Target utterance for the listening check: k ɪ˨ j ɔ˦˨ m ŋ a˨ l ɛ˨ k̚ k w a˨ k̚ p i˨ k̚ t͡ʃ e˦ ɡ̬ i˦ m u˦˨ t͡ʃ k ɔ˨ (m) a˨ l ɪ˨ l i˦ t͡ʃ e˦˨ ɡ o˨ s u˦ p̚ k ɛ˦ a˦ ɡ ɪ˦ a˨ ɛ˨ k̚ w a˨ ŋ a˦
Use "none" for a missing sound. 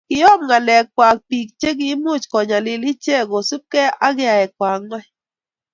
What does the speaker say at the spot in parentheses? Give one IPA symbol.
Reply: ɲ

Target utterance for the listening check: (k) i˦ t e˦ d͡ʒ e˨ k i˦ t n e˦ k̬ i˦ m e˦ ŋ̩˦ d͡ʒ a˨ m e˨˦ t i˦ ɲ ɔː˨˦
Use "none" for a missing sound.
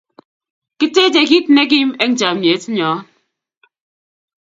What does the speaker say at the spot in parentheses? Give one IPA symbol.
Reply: k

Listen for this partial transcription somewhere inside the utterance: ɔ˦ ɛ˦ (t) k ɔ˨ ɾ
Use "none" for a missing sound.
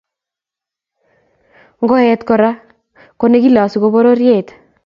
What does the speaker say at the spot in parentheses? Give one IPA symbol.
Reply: t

